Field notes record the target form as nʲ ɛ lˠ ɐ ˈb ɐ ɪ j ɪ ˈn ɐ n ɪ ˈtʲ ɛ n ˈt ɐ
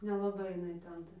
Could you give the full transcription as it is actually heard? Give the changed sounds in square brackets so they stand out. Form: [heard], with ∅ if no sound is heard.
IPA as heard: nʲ ɛ lˠ ɐ ˈb ɐ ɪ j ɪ ˈn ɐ [∅] ɪ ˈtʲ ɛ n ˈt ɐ

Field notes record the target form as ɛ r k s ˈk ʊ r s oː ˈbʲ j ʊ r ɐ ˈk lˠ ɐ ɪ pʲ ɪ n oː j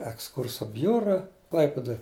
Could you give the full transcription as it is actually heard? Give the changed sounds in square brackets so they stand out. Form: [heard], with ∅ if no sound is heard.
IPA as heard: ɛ [∅] k s ˈk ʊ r s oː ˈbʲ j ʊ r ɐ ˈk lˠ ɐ ɪ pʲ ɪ [d] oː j

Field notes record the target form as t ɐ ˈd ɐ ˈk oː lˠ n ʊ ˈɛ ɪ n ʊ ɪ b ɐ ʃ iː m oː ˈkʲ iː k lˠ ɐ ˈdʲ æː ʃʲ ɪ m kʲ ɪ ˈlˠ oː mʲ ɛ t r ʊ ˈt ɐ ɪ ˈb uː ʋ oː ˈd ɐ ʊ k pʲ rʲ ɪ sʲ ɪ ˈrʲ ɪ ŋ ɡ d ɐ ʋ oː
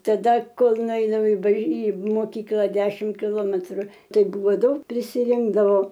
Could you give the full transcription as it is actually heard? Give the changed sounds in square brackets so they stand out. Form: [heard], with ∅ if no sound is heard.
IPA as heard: t ɐ ˈd ɐ ˈk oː lˠ n ʊ ˈɛ ɪ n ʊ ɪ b ɐ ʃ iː m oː ˈkʲ iː k lˠ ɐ ˈdʲ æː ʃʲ ɪ m kʲ ɪ ˈlˠ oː mʲ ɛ t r ʊ ˈt ɐ ɪ ˈb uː ʋ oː ˈd ɐ ʊ k pʲ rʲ ɪ sʲ ɪ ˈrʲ ɪ ŋ ɡ d ɐ ʋ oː

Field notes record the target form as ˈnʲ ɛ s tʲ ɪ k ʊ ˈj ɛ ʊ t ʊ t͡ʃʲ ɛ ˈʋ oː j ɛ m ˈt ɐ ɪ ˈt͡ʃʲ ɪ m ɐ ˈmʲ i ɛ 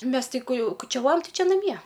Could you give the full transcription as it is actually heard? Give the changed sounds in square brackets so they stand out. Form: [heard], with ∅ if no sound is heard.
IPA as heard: [ˈmʲ] ɛ s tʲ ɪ k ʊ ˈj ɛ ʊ [k] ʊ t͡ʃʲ ɛ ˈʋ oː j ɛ m ˈt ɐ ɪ ˈt͡ʃʲ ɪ [n] ɐ ˈmʲ i ɛ

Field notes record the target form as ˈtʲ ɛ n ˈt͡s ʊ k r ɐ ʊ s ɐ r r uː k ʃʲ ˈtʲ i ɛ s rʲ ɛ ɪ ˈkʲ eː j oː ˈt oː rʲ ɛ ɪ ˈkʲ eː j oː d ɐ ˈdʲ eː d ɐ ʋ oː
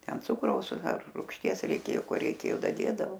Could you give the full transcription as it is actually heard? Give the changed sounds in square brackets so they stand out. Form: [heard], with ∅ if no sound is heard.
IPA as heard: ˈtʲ ɛ n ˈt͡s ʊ k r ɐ ʊ s ɐ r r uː k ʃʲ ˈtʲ i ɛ s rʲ ɛ ɪ ˈkʲ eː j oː [ˈk] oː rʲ ɛ ɪ ˈkʲ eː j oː d ɐ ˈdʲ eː d ɐ ʋ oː

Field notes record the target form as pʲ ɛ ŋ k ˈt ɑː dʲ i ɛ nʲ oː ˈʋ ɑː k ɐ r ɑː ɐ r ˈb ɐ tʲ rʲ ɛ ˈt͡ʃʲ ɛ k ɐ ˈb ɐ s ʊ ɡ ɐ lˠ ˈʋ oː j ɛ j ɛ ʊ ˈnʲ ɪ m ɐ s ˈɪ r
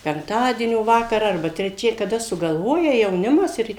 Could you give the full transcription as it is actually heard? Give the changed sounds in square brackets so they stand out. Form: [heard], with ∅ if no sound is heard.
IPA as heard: pʲ ɛ ŋ k ˈt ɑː dʲ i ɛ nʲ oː ˈʋ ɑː k ɐ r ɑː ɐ r ˈb ɐ tʲ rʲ ɛ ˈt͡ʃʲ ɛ k ɐ [ˈd] ɐ s ʊ ɡ ɐ lˠ ˈʋ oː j ɛ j ɛ ʊ ˈnʲ ɪ m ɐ s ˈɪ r

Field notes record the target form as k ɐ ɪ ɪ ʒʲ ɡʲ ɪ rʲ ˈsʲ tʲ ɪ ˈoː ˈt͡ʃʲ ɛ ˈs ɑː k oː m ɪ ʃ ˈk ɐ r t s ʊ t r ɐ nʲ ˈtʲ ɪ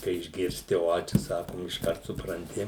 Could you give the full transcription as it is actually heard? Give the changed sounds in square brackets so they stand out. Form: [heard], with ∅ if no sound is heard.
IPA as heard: k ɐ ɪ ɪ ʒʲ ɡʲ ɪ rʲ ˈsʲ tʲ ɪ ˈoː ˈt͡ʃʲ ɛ ˈs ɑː k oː m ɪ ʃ ˈk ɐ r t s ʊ [p] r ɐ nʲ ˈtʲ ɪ

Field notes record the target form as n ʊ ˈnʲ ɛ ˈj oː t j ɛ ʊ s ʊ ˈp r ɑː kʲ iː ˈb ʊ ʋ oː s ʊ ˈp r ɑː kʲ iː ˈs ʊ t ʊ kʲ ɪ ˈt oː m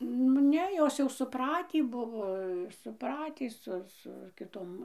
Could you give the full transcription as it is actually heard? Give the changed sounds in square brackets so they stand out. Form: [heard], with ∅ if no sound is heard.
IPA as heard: n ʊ ˈnʲ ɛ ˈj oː [s] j ɛ ʊ s ʊ ˈp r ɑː [tʲ] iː ˈb ʊ ʋ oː s ʊ ˈp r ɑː [tʲ] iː ˈs ʊ [s] ʊ kʲ ɪ ˈt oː m

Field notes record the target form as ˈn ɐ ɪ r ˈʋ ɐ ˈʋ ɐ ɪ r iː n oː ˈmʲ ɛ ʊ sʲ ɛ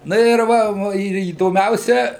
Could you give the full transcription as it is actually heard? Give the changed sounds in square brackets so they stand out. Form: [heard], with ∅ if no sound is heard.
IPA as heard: ˈn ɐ ɪ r ˈʋ ɐ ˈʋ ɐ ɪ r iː [d] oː ˈmʲ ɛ ʊ sʲ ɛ

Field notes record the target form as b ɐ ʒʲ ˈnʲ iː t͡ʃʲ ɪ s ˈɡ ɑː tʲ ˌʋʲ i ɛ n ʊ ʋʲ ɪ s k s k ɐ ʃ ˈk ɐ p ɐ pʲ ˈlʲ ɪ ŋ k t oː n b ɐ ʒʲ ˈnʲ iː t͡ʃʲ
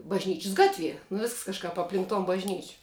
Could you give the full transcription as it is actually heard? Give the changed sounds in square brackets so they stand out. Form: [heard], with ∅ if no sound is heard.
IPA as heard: b ɐ ʒʲ ˈnʲ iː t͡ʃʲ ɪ s ˈɡ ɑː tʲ ˌʋʲ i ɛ n ʊ ʋʲ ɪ s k s k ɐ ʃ ˈk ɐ p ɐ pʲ ˈlʲ ɪ ŋ k t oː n b ɐ ʒʲ ˈnʲ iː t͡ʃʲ

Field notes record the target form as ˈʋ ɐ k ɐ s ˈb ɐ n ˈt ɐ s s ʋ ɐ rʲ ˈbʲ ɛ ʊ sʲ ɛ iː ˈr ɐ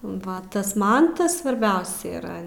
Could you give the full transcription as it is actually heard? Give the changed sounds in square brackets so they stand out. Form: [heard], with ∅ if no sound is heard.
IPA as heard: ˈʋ ɐ [t] ɐ s [ˈm] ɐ n ˈt ɐ s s ʋ ɐ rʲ ˈbʲ ɛ ʊ sʲ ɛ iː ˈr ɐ

